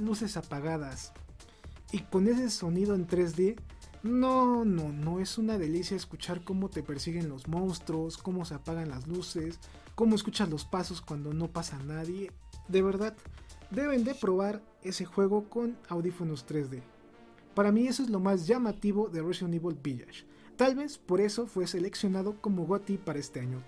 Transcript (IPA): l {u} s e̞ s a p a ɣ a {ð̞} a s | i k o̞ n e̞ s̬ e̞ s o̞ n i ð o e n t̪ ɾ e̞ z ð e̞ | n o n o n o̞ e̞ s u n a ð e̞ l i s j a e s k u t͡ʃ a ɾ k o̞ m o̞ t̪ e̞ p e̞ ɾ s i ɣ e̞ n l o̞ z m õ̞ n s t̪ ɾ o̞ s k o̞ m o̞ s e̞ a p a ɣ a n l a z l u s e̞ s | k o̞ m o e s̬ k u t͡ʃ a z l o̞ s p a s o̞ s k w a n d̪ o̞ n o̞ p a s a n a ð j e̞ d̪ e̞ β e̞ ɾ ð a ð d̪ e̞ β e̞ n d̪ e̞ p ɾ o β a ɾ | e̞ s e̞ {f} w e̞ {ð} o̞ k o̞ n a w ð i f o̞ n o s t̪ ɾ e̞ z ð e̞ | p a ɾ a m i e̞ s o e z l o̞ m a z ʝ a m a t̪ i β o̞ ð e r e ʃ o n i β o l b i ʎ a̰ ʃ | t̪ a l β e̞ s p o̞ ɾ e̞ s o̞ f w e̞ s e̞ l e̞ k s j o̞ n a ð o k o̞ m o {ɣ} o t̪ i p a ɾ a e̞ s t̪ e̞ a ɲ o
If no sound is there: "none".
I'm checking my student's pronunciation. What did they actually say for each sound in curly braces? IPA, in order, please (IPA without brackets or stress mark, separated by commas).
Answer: u, ð̞, x, ɣ, ɣ